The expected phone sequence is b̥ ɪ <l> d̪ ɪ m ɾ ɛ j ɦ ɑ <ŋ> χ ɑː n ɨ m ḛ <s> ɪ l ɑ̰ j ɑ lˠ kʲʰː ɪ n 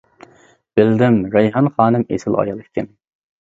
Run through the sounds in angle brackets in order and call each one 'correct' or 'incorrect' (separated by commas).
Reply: correct, incorrect, correct